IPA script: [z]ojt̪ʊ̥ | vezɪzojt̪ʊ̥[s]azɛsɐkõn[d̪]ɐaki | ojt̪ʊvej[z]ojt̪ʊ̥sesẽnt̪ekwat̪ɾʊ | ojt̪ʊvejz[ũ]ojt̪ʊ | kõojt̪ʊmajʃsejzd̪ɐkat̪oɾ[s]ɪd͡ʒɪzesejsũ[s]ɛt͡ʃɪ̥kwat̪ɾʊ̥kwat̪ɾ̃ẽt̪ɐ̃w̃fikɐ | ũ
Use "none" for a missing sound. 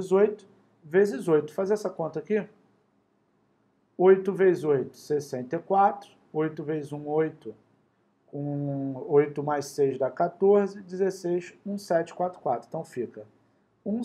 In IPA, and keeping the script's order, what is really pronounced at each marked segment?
z, f, t̪, z, ũ, z, s

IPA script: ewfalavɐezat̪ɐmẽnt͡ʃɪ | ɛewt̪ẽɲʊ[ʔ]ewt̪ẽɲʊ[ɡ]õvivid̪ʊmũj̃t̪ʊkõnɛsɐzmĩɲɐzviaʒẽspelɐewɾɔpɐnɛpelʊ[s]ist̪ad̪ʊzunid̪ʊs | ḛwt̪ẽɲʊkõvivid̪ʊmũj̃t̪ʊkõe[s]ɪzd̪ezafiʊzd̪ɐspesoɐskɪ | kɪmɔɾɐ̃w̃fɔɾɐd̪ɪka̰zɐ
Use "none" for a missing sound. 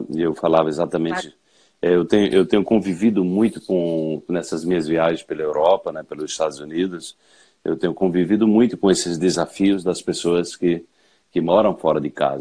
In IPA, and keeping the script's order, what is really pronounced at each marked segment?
ʔ, k, z, s

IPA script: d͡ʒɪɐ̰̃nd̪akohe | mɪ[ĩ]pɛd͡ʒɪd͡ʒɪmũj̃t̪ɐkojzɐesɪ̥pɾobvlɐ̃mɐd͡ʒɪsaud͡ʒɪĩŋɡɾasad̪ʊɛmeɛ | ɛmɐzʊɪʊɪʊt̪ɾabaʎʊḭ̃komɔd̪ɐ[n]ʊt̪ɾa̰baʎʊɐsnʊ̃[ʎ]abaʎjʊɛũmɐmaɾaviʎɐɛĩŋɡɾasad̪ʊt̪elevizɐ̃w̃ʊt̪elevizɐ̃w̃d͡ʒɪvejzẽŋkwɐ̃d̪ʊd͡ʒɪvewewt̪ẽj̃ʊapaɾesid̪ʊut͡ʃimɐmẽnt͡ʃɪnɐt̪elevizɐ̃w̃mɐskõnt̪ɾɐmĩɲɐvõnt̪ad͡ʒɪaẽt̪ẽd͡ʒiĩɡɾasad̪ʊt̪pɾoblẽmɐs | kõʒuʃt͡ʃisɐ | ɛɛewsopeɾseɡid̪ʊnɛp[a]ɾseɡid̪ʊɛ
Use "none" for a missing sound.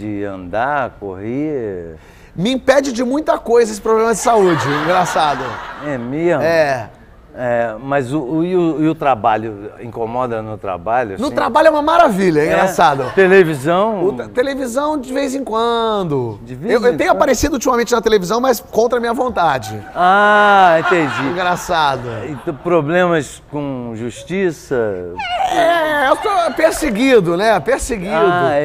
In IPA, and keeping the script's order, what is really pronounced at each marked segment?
ĩ, n, ɾ, e

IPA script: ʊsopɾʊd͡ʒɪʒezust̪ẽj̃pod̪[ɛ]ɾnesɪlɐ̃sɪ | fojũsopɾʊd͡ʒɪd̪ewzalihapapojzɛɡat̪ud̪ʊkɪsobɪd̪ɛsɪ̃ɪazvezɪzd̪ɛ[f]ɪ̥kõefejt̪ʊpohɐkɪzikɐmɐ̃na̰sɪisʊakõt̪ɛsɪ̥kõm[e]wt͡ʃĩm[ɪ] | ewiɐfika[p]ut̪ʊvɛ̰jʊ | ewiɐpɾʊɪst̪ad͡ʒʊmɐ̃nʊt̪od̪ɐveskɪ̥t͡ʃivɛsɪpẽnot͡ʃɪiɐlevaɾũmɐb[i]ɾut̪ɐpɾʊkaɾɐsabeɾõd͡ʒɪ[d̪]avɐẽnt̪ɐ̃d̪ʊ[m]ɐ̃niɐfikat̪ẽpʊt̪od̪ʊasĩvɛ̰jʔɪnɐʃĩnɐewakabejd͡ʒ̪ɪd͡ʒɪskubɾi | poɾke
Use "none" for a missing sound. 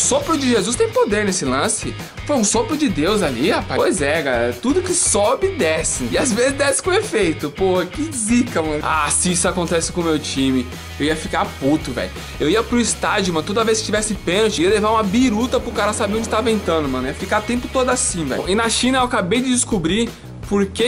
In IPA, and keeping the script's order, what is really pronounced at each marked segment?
e, s, e, ɪ, p, i, t̪, m

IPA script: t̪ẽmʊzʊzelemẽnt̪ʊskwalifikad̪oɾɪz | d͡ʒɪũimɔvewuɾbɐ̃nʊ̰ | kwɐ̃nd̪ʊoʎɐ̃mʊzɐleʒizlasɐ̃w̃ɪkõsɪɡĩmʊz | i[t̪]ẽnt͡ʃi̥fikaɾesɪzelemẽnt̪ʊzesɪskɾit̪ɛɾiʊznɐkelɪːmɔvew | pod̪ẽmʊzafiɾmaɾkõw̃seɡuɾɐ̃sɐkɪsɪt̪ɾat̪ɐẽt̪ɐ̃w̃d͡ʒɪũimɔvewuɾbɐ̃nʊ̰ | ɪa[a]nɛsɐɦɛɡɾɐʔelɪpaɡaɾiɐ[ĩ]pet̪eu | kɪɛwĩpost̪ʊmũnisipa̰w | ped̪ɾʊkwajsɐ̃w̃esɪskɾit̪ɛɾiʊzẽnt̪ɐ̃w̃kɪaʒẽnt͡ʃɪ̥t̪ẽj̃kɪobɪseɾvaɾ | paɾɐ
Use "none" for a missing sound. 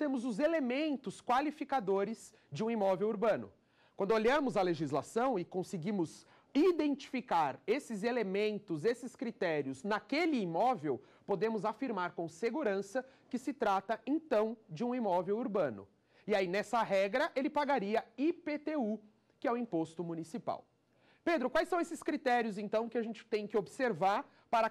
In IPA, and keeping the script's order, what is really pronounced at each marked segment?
d̪, i, i

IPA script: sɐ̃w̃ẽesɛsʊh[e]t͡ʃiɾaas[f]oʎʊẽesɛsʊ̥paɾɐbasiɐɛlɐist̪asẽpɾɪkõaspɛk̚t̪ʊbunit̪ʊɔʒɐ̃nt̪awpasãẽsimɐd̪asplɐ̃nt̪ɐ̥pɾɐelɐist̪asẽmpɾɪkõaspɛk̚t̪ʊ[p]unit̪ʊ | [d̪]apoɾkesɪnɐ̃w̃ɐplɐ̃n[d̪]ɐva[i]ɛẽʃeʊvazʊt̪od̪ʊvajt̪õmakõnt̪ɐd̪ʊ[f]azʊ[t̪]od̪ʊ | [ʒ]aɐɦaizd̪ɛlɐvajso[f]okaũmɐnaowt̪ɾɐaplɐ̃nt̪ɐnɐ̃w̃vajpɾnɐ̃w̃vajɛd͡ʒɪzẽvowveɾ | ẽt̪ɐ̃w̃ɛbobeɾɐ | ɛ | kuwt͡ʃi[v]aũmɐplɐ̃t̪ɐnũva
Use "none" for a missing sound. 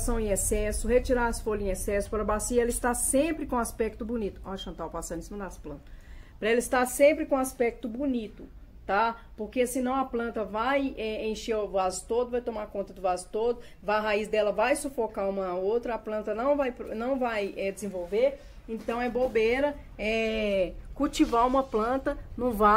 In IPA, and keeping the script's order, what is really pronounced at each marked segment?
e, f, b, t̪, t̪, j, v, t̪, v, f, v

